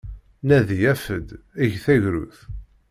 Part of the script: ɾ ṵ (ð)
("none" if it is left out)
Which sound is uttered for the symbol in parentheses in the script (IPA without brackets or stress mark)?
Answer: θ